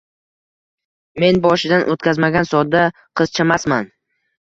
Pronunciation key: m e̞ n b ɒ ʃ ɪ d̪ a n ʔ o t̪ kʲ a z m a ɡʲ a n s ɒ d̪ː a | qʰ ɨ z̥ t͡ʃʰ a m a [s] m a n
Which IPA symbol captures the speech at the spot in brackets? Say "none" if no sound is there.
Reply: s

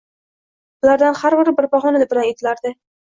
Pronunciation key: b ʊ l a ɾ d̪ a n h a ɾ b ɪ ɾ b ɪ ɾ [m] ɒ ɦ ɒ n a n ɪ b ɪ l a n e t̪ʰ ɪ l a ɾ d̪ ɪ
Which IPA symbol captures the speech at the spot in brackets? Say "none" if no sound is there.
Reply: b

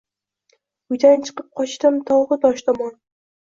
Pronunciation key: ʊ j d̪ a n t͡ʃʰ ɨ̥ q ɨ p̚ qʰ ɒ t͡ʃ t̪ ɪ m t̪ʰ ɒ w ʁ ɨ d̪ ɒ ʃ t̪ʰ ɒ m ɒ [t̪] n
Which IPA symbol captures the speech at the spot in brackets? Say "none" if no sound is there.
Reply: none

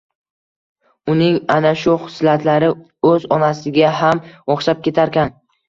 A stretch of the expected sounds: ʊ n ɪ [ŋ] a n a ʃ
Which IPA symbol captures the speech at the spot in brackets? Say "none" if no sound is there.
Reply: ŋ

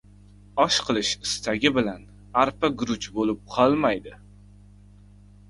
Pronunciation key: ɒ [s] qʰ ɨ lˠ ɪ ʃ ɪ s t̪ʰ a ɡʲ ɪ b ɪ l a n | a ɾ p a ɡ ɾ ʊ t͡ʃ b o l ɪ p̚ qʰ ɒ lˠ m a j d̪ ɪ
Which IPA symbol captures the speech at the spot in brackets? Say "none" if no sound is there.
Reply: ʃ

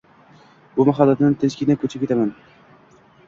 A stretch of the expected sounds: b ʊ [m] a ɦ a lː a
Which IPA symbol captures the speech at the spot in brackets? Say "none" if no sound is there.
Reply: m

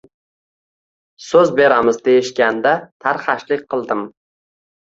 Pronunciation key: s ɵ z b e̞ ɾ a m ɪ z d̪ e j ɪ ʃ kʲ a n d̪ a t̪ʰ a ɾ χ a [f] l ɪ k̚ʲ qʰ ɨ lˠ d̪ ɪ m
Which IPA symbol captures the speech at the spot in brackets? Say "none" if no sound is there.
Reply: ʃ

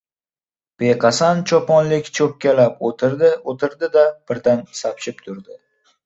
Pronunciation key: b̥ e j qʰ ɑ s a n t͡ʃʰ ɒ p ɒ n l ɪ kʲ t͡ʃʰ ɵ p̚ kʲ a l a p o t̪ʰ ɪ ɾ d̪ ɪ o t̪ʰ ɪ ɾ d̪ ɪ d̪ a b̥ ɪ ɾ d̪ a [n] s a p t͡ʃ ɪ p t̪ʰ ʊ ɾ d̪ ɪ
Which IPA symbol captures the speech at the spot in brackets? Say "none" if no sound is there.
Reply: n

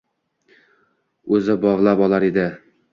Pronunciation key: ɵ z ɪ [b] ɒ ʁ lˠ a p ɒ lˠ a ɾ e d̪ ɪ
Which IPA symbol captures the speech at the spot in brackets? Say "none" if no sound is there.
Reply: b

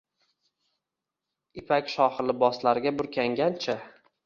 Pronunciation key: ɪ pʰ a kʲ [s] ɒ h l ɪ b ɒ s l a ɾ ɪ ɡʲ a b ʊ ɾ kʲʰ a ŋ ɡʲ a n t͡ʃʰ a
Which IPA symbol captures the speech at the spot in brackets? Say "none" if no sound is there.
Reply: ʃ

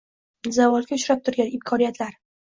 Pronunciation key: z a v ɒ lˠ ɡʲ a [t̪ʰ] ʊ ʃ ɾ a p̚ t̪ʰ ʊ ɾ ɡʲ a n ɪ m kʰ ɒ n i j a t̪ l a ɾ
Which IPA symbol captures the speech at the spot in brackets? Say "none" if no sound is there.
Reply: none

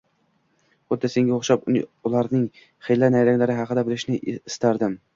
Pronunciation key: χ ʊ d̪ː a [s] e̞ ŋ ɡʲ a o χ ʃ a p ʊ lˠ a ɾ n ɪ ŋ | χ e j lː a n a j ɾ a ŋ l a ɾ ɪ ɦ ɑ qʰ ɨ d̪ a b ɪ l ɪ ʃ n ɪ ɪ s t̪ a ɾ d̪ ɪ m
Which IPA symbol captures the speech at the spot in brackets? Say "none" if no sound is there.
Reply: s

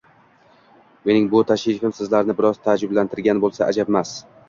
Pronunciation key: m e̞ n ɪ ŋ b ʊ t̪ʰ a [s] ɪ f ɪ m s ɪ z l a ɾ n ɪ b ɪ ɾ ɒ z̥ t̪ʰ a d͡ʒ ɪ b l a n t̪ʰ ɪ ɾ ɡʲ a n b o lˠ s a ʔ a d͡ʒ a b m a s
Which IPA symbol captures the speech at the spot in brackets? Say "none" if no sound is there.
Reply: ʃ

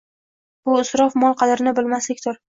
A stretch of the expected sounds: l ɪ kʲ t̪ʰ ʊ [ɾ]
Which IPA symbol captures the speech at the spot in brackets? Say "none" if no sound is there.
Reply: ɾ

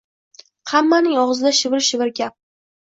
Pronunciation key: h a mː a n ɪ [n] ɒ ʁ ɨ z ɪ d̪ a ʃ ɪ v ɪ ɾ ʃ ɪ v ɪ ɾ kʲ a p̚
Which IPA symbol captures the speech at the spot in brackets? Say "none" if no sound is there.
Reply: ŋ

